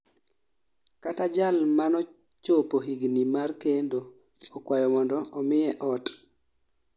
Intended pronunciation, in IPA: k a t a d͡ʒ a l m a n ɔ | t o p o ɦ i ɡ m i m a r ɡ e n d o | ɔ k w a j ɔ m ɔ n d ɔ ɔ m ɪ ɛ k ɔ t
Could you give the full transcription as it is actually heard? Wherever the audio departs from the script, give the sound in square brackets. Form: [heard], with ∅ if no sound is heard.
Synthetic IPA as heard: k a t a d͡ʒ a l m a n ɔ | [t͡ʃ] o p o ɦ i ɡ [n] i m a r [k] e n d o | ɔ k w a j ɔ m ɔ n d ɔ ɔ m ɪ ɛ [ʔ] ɔ t